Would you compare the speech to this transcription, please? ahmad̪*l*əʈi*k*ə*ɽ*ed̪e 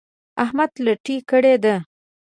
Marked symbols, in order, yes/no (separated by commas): yes, yes, yes